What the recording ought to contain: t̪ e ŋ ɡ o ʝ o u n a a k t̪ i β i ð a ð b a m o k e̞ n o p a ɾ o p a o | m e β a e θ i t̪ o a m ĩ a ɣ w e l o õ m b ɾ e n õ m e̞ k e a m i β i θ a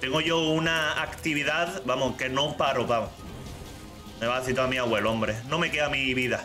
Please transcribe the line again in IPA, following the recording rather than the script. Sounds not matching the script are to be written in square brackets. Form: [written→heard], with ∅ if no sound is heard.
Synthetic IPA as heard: t̪ e ŋ ɡ o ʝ o u n a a k t̪ i β i ð a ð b a m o k e̞ n o p a ɾ o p a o | m e β a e θ i t̪ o a m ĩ a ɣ w e l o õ m b ɾ e n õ m e̞ k e a m i β i [θ→ð] a

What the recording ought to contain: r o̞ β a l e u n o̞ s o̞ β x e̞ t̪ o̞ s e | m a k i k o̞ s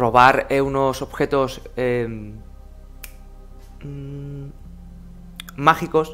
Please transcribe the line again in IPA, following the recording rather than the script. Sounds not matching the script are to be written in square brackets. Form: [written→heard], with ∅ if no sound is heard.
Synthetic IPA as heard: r o̞ β a [l→ɾ] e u n o̞ s o̞ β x e̞ t̪ o̞ s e | m a [k→x] i k o̞ s

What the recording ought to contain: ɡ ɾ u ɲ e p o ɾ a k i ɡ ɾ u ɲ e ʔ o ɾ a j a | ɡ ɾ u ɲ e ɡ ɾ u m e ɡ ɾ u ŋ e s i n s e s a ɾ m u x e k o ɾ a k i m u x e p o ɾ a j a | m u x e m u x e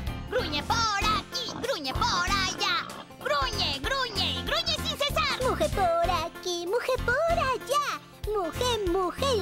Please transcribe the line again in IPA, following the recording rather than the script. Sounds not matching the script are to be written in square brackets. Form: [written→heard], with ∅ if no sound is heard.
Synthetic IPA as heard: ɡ ɾ u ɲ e p o ɾ a k i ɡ ɾ u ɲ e [ʔ→p] o ɾ a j a | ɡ ɾ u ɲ e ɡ ɾ u [m→ɲ] e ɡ ɾ u [ŋ→ɲ] e s i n s e s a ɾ m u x e [k→p] o ɾ a k i m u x e p o ɾ a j a | m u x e m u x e

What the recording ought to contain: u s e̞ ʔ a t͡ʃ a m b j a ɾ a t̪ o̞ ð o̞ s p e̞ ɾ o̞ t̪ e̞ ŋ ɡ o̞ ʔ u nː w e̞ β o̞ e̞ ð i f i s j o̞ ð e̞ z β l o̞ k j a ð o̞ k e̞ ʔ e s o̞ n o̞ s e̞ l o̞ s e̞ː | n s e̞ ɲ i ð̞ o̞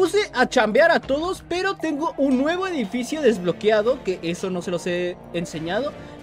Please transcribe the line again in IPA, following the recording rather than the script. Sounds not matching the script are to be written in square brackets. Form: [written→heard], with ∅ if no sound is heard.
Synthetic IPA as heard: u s e̞ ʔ a t͡ʃ a m b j a ɾ a t̪ o̞ ð o̞ s p e̞ ɾ o̞ t̪ e̞ ŋ ɡ o̞ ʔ u nː w e̞ β o̞ e̞ ð i f i s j o̞ ð e̞ z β l o̞ k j a ð o̞ k e̞ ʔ e s o̞ n o̞ s e̞ l o̞ s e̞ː | n s e̞ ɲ [i→a] ð̞ o̞

